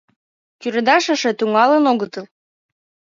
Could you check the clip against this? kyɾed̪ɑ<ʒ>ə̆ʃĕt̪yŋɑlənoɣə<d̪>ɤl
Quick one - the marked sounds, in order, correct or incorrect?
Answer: incorrect, incorrect

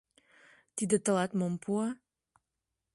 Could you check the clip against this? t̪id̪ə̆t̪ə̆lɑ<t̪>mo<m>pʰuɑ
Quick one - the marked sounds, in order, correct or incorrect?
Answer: correct, correct

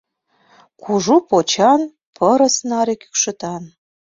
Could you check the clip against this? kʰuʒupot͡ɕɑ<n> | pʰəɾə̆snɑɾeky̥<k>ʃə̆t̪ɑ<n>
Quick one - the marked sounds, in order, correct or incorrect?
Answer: correct, correct, correct

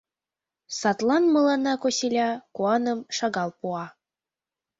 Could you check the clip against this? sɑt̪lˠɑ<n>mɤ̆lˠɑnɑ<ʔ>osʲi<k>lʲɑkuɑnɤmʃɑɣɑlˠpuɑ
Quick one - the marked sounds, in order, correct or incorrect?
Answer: correct, incorrect, incorrect

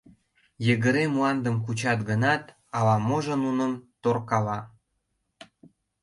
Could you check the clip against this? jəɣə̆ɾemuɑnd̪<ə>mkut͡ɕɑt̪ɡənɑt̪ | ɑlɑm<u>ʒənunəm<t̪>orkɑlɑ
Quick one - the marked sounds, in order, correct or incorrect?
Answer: correct, incorrect, correct

